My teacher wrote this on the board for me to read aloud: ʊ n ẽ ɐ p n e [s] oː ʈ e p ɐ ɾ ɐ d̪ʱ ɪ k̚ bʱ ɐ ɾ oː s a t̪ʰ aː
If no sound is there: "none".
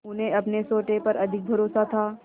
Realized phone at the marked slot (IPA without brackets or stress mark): s